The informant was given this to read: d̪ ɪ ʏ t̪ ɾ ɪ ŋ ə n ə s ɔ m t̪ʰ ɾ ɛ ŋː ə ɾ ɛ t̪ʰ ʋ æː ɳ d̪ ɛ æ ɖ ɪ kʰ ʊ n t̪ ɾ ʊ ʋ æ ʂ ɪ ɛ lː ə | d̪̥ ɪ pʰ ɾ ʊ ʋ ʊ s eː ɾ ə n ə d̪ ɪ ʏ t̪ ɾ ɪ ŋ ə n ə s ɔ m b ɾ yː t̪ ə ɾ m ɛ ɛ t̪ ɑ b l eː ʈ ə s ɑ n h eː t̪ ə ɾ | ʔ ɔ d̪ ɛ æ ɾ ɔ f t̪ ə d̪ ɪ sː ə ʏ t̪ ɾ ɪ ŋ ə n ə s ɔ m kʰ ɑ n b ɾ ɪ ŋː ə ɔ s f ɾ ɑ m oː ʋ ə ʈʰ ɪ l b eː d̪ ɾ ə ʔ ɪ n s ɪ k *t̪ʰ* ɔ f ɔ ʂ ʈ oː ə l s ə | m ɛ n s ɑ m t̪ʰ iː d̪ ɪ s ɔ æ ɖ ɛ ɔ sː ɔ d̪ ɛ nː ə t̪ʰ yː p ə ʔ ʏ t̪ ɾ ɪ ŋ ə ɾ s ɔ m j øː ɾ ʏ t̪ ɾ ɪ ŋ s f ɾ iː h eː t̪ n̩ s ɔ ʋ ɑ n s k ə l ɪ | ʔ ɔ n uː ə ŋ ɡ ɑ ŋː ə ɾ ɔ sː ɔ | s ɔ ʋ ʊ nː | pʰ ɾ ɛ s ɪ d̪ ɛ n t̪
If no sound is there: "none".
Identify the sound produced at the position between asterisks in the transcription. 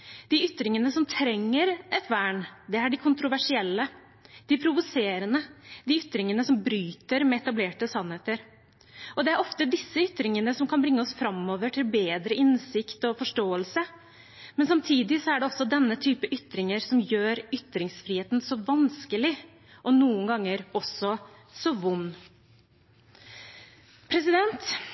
t̪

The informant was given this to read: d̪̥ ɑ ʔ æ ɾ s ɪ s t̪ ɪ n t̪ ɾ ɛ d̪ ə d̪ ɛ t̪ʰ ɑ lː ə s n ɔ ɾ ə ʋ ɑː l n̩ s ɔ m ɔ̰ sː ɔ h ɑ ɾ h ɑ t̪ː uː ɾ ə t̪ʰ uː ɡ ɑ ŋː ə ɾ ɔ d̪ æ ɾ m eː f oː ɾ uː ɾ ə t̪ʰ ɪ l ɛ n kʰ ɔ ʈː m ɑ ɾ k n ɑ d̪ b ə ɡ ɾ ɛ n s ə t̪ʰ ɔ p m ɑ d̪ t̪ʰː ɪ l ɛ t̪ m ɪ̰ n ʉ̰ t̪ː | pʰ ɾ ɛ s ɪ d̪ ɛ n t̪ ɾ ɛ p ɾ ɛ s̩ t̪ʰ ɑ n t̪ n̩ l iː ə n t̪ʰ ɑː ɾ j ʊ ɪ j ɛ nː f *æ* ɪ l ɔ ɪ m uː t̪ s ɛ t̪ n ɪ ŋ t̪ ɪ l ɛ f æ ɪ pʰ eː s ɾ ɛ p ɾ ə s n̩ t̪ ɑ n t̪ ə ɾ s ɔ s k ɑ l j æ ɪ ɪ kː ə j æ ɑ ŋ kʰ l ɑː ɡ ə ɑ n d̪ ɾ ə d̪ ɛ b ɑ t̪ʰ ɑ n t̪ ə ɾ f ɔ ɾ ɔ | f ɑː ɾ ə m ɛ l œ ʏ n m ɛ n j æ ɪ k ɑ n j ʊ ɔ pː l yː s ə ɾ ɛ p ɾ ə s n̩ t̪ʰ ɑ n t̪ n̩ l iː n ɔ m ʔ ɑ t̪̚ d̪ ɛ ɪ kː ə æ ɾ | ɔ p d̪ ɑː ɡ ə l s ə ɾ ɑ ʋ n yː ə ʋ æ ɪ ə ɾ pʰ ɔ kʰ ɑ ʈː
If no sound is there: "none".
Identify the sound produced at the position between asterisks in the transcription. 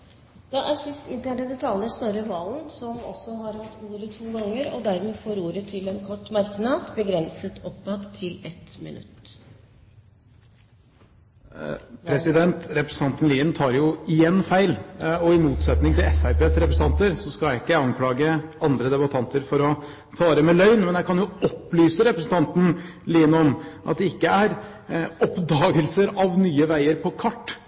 æ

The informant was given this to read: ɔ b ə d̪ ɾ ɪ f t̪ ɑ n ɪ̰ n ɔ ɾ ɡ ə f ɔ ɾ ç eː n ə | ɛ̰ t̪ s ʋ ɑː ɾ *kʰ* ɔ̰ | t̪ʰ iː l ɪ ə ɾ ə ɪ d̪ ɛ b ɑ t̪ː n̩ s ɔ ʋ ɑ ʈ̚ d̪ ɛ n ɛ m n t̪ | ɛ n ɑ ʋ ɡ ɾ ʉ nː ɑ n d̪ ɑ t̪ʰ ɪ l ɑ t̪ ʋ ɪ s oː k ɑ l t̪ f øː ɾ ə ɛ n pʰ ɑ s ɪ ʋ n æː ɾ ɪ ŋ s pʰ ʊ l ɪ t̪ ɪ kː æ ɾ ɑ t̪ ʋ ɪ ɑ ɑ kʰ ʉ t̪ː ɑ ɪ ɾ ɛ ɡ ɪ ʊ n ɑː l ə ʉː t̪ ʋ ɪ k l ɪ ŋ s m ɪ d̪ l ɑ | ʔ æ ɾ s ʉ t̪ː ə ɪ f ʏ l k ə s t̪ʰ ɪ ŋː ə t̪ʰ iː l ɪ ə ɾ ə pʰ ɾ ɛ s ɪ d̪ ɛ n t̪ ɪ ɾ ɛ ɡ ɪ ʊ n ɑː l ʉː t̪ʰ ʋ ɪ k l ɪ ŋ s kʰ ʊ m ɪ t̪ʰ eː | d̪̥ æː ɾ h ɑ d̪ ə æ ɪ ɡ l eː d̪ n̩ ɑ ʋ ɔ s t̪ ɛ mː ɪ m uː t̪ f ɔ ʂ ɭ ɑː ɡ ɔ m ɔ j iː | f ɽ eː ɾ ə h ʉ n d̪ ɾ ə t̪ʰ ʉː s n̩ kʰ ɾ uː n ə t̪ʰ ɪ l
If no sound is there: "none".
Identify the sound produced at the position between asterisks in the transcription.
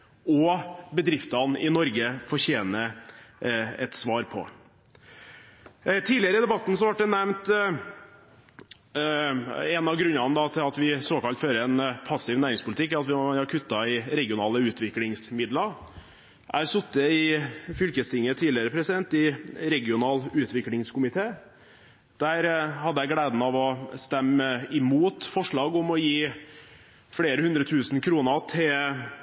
pʰ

